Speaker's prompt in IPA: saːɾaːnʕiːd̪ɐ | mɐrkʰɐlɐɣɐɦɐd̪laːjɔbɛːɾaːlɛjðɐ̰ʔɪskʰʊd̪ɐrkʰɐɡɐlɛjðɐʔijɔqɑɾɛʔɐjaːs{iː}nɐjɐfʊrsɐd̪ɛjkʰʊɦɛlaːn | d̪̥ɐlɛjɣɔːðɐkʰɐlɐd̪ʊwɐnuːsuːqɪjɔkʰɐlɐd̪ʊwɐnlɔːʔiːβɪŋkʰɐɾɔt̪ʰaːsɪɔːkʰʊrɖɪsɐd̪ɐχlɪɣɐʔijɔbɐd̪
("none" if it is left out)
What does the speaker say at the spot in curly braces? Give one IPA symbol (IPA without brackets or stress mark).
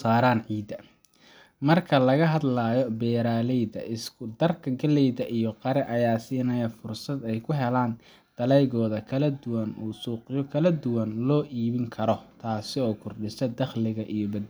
iː